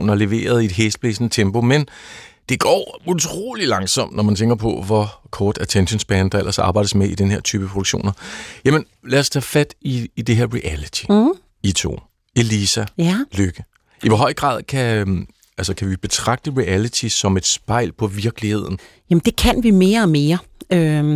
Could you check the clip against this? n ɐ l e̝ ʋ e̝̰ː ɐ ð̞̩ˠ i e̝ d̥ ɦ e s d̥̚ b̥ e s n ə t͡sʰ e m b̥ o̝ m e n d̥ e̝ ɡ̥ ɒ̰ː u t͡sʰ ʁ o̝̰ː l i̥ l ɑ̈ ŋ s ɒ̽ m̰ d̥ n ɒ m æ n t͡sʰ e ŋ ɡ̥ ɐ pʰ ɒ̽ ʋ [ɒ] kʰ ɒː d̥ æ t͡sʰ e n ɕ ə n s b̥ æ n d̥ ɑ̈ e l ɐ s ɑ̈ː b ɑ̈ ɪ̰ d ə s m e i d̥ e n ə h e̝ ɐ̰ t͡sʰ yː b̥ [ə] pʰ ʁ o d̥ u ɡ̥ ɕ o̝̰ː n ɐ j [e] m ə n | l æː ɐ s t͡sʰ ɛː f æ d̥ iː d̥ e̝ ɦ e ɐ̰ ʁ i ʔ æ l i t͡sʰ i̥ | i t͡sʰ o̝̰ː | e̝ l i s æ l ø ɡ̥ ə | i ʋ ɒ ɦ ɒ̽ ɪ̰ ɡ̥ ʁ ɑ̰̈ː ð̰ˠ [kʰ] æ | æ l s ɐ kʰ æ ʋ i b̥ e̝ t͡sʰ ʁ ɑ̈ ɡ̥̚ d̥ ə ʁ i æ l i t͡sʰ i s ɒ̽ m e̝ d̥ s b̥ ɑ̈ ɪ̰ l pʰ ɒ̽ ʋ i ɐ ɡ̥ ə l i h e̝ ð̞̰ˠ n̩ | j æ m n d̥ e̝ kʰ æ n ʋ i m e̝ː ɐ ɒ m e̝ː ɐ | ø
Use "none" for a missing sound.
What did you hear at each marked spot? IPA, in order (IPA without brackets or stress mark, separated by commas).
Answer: ɒ, ə, æ, kʰ